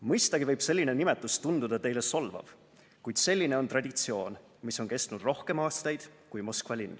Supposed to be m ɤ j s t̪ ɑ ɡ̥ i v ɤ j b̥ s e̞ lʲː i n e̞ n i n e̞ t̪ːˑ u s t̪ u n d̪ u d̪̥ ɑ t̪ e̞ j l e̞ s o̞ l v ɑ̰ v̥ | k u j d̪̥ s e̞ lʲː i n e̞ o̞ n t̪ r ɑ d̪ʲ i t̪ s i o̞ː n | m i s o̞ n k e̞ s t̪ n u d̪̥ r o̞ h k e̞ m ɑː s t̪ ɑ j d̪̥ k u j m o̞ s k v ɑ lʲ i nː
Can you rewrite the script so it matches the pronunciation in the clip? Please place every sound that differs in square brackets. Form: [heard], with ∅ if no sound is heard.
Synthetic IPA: m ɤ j s t̪ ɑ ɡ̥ i v ɤ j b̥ s e̞ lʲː i n e̞ n i [m] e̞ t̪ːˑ u s t̪ u n d̪ u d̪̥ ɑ t̪ e̞ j l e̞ s o̞ l v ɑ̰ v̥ | k u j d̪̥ s e̞ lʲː i n e̞ o̞ n t̪ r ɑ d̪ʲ i t̪ s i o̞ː n | m i s o̞ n k e̞ s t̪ n u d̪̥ r o̞ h k e̞ m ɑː s t̪ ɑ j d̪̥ k u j m o̞ s k v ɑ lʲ i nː